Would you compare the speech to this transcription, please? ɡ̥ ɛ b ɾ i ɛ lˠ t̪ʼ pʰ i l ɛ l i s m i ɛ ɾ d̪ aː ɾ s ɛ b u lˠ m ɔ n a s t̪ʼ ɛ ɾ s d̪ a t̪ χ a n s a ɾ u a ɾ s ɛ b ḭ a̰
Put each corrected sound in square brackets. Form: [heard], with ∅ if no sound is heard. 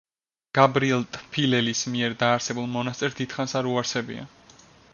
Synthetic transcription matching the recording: ɡ̥ [a] b ɾ i ɛ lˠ t̪ʼ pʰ i l ɛ l i s m i ɛ ɾ d̪ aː ɾ s ɛ b u lˠ m ɔ n a s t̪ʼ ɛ ɾ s d̪ [i] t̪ χ a n s a ɾ u a ɾ s ɛ b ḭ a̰